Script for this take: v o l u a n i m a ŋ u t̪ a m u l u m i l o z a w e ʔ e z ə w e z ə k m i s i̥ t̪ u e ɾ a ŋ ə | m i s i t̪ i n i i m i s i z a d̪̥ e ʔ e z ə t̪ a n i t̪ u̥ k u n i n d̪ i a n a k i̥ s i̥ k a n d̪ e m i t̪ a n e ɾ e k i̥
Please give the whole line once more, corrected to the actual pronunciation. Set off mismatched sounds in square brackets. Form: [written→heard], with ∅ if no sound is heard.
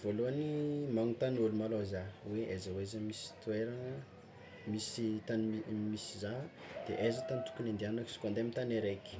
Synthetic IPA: v o l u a n i m a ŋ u t̪ a [m→n] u l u m [i→a] l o z a w e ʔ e z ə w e z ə [k→∅] m i s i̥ t̪ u e ɾ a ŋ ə | m i s i t̪ [i→a] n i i m i s i z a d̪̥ e ʔ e z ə t̪ a n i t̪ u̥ k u n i n d̪ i a n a k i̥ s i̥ k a n d̪ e m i t̪ a n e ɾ e k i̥